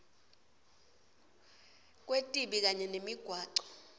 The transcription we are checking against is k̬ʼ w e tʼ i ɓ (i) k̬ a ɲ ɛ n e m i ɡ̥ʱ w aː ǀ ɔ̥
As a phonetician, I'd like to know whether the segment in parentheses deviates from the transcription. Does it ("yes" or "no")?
no